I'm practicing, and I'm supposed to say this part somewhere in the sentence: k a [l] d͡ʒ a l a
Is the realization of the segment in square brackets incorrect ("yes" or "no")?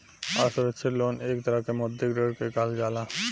no